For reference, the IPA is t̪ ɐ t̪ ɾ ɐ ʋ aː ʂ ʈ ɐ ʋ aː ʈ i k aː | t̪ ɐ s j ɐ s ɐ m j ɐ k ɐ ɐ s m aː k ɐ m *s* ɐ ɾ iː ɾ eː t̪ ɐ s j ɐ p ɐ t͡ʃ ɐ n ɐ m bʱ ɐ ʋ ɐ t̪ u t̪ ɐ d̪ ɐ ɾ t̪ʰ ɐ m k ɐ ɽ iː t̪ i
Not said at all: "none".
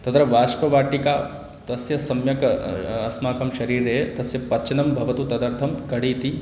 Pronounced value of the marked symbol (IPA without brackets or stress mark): ʃ